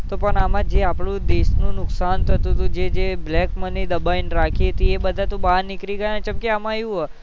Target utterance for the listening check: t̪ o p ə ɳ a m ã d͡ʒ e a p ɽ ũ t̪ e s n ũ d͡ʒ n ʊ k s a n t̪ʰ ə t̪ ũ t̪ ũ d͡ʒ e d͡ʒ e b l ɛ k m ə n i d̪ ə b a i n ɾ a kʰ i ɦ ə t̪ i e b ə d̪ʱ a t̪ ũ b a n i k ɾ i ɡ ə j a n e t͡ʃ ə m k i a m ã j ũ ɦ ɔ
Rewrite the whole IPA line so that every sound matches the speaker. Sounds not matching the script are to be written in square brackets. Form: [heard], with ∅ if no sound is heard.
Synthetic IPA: t̪ o p ə ɳ a m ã d͡ʒ e a p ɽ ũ [d̪] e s n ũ [∅] n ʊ k s a n t̪ʰ ə t̪ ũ t̪ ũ d͡ʒ e d͡ʒ e b l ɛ k m ə n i d̪ ə b a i n ɾ a kʰ i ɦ ə t̪ i e b ə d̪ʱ a t̪ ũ b a n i k ɾ i ɡ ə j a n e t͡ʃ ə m k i a m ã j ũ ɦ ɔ